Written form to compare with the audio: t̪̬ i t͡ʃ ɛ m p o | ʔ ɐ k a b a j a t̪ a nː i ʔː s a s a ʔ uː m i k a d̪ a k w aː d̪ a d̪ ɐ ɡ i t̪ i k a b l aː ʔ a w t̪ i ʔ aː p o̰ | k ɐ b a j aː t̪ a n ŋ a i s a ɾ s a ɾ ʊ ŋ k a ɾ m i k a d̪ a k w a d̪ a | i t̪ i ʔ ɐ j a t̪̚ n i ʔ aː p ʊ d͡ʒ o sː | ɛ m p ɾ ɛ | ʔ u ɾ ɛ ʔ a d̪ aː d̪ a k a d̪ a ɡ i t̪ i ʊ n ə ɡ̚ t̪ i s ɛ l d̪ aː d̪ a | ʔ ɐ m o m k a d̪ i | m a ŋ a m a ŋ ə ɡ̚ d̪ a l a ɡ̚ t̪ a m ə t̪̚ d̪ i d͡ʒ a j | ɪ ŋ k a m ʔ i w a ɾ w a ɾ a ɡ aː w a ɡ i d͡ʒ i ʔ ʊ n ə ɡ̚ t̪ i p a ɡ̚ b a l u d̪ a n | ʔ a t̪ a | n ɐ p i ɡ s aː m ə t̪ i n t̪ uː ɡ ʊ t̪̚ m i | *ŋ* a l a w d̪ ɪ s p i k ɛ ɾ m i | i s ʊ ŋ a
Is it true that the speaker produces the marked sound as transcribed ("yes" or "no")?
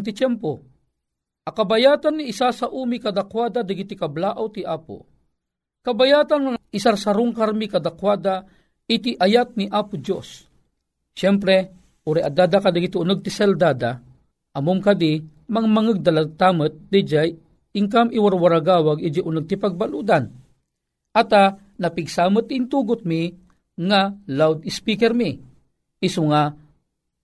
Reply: yes